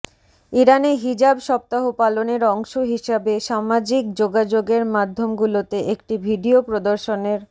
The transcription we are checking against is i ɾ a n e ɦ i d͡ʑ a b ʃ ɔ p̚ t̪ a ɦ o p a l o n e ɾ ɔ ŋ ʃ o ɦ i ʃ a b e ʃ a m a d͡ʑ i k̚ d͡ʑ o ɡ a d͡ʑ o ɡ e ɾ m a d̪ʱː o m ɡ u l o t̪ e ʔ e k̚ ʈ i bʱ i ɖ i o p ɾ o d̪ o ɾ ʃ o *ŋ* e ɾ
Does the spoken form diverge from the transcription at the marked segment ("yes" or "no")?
yes